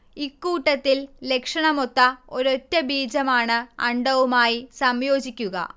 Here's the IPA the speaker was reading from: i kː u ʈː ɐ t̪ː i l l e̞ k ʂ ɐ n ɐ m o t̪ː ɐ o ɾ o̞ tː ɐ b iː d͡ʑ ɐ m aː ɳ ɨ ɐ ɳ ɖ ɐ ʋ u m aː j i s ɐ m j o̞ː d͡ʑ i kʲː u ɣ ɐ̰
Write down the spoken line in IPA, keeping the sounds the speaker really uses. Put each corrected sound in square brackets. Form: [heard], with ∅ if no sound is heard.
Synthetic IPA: i kː [uː] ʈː ɐ t̪ː i l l e̞ k ʂ ɐ [ɳ] ɐ m o t̪ː ɐ o ɾ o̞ tː ɐ b iː d͡ʑ ɐ m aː ɳ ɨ ɐ ɳ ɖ ɐ ʋ u m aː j i s ɐ m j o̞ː d͡ʑ i kʲː u ɣ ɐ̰